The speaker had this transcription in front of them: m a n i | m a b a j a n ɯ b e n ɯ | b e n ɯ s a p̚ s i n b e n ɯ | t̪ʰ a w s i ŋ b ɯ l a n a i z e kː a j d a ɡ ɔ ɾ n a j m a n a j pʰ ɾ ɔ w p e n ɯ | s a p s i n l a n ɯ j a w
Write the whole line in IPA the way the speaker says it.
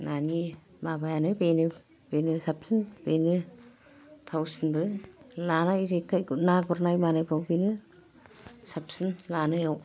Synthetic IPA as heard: n a n i | m a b a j a n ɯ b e n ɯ | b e n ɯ s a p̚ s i n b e n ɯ | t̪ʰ a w s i n b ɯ l a n a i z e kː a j n a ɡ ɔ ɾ n a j m a n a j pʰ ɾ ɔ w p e n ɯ | s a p s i n l a n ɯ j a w